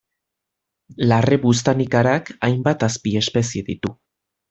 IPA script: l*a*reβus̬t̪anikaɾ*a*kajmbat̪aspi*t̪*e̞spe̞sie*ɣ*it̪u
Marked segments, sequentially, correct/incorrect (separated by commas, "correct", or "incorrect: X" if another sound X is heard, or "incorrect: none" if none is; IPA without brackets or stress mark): correct, correct, incorrect: none, incorrect: ð